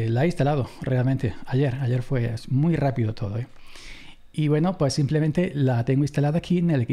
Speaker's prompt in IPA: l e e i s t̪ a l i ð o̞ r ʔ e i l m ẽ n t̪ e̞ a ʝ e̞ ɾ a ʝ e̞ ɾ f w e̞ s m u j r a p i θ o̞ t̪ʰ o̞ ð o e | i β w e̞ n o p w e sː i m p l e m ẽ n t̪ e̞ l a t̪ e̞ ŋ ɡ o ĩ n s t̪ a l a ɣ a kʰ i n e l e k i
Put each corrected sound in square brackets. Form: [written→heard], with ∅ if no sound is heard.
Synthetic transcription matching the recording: l [e→a] e i s t̪ a l [i→a] ð o̞ r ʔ e [i→a] l m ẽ n t̪ e̞ a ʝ e̞ ɾ a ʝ e̞ ɾ f w e̞ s m u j r a p i [θ→ð] o̞ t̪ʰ o̞ ð o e | i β w e̞ n o p w e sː i m p l e m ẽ n t̪ e̞ l a t̪ e̞ ŋ ɡ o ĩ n s t̪ a l a [ɣ→ð] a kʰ i n e l e k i